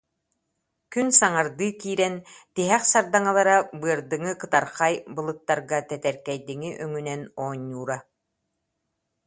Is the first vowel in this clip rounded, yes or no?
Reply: yes